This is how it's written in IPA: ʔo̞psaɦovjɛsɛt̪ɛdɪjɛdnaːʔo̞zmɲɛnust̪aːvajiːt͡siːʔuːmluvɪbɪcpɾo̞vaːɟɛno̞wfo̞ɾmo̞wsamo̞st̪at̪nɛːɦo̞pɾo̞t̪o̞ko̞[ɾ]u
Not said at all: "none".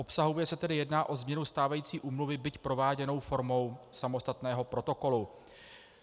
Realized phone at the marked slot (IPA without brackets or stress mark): l